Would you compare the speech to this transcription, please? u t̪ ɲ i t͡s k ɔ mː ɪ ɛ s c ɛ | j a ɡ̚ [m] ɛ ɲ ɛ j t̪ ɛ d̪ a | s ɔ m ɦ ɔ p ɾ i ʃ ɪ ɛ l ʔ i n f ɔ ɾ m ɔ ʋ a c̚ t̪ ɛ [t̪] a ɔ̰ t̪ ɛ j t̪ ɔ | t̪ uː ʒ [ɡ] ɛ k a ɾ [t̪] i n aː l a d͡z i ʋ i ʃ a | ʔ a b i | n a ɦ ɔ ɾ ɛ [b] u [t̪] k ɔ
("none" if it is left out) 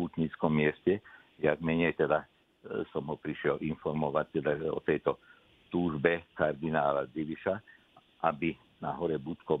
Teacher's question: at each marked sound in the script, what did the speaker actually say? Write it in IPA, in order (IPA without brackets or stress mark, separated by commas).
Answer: m, d̪, b, d̪, b, t̪